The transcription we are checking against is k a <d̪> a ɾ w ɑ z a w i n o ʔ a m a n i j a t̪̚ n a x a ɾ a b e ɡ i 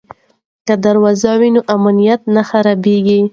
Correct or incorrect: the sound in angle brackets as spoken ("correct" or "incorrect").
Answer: correct